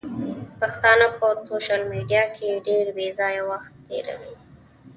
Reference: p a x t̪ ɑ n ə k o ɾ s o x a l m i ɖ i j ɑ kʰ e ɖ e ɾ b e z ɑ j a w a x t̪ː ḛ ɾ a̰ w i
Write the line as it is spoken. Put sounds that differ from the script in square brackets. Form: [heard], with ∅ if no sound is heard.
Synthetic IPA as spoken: p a x t̪ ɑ n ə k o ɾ s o [ʃ] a l m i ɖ i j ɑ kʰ e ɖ e ɾ b e z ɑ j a w a x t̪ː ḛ ɾ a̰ w i